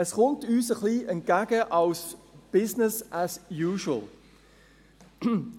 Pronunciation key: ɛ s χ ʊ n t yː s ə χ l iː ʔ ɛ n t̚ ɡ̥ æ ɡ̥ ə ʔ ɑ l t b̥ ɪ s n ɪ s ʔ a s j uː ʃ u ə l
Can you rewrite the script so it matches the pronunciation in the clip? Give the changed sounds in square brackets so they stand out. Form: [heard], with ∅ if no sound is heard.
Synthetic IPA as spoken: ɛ s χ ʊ n t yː s ə χ l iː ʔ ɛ n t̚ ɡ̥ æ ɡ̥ ə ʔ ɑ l [s] b̥ ɪ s n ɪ s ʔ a s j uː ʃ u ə l